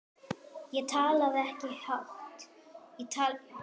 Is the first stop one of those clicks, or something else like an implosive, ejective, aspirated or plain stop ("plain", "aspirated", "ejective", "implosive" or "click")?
aspirated